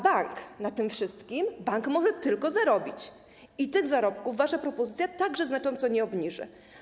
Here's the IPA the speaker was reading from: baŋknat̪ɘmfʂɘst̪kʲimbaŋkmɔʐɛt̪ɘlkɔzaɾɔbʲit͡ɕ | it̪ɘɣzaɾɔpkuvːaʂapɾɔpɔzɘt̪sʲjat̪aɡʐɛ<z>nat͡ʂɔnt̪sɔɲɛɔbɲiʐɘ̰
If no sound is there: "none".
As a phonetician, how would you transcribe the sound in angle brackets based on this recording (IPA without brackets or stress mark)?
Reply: z